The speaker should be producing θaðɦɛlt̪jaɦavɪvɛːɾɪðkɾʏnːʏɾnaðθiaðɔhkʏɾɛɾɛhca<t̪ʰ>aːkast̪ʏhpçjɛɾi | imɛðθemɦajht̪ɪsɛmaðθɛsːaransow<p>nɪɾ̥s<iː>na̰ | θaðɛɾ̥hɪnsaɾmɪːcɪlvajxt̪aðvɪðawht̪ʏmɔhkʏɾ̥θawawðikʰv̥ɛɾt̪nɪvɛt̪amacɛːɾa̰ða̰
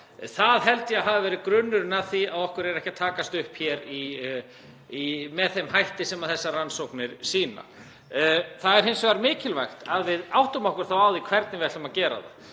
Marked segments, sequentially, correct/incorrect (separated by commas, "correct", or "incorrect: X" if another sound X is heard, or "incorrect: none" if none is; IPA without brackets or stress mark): correct, incorrect: k, correct